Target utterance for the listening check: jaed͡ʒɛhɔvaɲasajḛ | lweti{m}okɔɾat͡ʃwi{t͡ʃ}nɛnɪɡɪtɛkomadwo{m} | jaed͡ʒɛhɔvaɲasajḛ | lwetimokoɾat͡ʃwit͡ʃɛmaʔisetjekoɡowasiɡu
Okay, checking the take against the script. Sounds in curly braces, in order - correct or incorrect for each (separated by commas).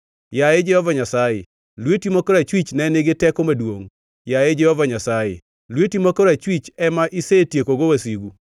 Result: correct, correct, incorrect